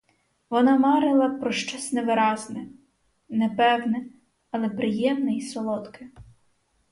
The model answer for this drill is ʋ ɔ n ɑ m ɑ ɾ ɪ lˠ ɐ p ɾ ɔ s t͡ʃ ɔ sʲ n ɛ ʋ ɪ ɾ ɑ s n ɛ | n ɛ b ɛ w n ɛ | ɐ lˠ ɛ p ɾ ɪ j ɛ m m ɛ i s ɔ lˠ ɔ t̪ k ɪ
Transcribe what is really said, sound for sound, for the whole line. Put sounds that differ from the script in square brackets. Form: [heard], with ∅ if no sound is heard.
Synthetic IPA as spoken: ʋ ɔ n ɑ m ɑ ɾ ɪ lˠ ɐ p ɾ ɔ [ʃ] t͡ʃ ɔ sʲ n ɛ ʋ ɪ ɾ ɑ [z] n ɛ | n ɛ [p] ɛ w n ɛ | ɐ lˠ ɛ p ɾ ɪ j ɛ m [n] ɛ i s ɔ lˠ ɔ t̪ k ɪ